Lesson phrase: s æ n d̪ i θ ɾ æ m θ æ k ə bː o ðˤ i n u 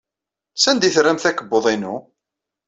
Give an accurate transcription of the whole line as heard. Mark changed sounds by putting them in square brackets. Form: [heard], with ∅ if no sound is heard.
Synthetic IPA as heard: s æ n d̪ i θ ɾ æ m θ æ k ə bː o ðˤ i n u